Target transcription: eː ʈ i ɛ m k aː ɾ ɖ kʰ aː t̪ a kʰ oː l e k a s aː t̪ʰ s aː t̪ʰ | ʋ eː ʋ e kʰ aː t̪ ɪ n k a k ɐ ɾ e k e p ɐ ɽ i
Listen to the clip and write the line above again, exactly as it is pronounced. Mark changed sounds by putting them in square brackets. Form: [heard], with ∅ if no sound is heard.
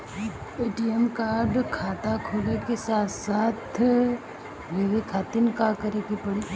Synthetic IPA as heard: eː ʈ i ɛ m k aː ɾ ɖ kʰ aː t̪ a kʰ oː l e k [e] s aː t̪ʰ s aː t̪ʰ | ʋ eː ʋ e kʰ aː t̪ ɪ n k a k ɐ ɾ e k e p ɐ ɽ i